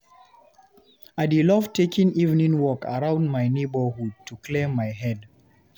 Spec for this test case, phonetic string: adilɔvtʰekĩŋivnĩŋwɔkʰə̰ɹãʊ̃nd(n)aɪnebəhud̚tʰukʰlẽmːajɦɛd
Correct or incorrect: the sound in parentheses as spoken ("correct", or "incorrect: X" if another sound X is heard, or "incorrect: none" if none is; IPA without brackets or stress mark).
incorrect: m